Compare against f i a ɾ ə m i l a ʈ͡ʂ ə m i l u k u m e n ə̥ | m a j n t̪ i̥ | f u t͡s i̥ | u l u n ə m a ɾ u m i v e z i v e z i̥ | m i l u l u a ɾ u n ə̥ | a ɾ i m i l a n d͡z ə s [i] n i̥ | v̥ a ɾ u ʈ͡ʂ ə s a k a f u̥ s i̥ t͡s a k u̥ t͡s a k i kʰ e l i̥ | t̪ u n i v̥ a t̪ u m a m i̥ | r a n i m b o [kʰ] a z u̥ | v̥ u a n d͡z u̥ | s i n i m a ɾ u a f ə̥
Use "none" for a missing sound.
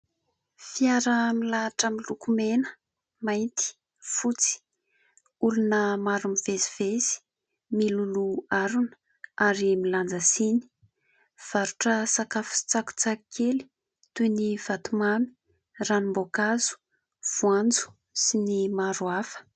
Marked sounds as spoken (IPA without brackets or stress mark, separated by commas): i, k